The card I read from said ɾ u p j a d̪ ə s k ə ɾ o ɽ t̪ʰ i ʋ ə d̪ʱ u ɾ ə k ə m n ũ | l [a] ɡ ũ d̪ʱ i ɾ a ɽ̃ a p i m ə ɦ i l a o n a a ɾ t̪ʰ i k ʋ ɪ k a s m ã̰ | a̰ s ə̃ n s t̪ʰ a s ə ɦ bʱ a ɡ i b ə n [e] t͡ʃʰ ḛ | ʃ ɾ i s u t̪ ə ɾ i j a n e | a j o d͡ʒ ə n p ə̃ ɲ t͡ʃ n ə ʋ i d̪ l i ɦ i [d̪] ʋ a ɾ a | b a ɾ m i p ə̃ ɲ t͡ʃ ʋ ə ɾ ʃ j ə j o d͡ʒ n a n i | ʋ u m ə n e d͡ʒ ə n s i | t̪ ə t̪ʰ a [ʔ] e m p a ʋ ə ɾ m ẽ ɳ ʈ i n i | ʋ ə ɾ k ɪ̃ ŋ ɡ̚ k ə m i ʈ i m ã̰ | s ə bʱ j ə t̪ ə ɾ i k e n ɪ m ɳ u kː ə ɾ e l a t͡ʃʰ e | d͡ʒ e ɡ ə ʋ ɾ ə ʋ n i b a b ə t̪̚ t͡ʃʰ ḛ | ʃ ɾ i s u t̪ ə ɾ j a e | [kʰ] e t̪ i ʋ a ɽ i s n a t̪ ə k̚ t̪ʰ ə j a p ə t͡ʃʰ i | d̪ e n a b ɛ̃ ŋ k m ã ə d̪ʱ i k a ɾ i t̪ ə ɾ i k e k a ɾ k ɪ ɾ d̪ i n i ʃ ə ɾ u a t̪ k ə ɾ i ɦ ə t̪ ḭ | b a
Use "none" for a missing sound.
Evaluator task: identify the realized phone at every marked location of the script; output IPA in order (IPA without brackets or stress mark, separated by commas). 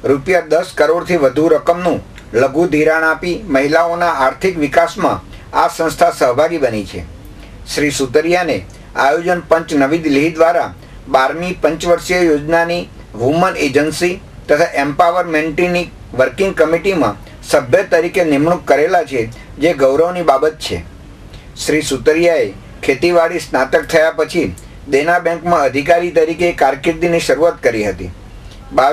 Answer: ə, i, d̪, ʔ, kʰ